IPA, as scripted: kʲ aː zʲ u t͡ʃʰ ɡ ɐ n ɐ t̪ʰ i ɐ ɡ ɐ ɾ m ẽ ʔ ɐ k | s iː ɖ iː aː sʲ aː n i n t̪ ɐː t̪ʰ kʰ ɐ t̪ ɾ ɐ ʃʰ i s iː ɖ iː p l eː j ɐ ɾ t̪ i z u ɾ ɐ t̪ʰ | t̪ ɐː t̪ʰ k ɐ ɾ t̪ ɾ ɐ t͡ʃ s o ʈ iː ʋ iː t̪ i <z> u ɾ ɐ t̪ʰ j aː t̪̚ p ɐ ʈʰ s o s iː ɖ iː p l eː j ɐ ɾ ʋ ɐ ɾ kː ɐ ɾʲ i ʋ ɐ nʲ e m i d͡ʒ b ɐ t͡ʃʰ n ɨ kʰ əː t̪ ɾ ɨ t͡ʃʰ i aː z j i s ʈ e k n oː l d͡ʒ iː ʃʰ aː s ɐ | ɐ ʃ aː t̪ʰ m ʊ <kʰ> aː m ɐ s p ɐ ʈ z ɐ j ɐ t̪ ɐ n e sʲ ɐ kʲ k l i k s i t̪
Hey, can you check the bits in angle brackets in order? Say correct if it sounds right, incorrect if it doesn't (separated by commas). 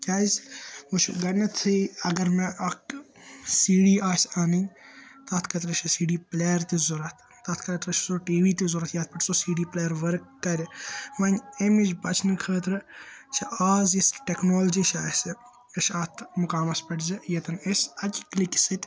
correct, incorrect